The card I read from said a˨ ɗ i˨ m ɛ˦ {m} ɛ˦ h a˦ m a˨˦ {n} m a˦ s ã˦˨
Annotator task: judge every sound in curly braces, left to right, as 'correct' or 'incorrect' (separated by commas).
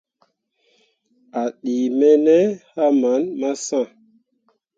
incorrect, correct